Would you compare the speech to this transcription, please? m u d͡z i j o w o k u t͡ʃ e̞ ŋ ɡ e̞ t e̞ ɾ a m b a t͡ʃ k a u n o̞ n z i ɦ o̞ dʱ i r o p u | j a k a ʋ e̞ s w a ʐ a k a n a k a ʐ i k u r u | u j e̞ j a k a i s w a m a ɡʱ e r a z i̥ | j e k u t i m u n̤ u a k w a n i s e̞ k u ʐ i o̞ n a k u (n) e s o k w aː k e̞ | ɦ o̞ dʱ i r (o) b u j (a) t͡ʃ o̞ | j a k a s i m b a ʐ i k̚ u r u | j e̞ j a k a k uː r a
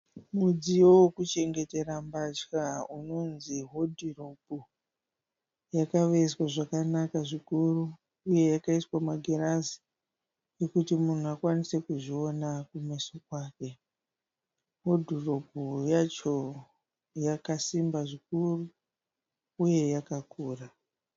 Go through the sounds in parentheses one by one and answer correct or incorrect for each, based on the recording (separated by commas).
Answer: incorrect, correct, correct